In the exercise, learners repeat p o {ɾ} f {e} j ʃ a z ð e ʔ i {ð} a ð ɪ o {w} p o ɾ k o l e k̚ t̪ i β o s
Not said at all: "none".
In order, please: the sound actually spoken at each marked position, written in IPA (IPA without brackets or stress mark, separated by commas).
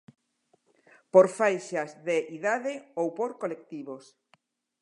ɾ, a, ð, w